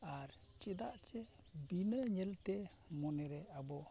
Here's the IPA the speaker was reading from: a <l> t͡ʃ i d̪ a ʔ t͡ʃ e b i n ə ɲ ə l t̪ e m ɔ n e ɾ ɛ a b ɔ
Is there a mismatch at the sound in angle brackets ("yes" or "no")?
yes